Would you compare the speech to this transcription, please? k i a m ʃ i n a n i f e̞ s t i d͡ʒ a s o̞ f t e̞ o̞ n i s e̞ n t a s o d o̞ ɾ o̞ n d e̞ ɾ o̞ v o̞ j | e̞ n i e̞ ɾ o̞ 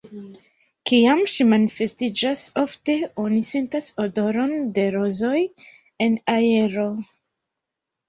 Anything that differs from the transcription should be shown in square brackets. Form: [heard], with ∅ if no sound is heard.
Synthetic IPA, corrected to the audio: k i a m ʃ i [m] a n i f e̞ s t i d͡ʒ a s o̞ f t e̞ o̞ n i s e̞ n t a s o d o̞ ɾ o̞ n d e̞ ɾ o̞ [z] o̞ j | e̞ n [a] e̞ ɾ o̞